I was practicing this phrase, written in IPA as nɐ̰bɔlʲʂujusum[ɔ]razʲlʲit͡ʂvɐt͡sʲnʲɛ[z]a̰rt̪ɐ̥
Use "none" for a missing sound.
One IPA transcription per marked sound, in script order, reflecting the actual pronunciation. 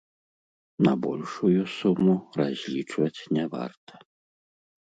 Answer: u, v

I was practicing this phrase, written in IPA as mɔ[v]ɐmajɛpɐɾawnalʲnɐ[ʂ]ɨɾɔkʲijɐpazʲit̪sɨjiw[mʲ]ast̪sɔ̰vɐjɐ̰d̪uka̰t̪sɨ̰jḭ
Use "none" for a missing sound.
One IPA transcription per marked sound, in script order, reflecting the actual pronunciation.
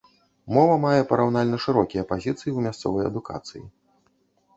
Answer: v, ʂ, mʲ

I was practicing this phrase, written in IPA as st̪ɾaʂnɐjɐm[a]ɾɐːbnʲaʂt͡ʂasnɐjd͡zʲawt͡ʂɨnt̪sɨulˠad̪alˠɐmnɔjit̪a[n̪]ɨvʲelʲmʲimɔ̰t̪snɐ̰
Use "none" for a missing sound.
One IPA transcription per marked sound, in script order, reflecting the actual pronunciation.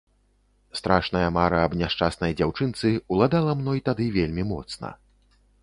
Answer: a, d̪

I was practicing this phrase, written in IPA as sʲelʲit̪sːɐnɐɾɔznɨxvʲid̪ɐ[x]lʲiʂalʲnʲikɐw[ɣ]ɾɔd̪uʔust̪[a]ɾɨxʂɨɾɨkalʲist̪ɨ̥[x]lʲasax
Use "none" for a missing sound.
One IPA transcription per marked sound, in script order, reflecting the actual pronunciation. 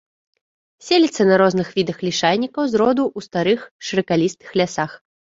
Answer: x, z, a, x

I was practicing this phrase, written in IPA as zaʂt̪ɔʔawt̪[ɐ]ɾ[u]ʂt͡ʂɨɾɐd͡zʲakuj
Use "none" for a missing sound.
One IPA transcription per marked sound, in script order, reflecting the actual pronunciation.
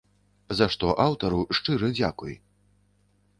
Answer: ɐ, u

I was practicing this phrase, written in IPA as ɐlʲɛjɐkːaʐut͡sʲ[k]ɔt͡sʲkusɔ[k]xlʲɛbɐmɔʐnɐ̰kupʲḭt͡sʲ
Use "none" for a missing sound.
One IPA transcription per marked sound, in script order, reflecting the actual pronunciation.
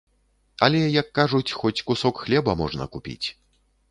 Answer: x, k

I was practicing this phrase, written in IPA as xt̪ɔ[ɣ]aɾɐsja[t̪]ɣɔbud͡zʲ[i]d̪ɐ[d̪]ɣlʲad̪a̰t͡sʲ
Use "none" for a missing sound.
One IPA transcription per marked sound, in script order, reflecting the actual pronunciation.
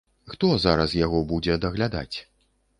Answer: z, none, ɛ, none

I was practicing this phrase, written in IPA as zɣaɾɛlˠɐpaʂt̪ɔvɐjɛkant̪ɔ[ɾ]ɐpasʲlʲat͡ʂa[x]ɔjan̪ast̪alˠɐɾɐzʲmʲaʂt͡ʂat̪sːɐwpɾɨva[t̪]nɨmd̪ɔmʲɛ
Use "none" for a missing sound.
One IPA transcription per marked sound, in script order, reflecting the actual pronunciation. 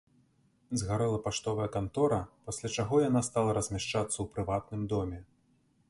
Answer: ɾ, ɣ, t̪

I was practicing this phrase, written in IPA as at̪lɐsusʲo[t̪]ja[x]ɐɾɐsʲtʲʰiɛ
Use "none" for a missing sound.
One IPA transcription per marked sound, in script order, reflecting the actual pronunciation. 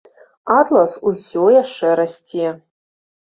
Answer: none, ʂ

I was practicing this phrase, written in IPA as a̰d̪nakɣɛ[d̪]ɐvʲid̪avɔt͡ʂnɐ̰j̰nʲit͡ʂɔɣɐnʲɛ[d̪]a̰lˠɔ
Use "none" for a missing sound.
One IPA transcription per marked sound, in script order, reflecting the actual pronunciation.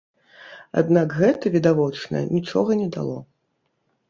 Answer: t̪, d̪

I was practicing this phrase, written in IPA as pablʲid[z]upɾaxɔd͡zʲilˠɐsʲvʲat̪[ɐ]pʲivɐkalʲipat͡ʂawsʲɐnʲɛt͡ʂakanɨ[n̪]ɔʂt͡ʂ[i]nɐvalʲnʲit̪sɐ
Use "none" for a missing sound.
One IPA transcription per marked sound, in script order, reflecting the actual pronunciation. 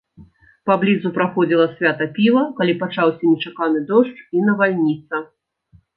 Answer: z, ɐ, d̪, i

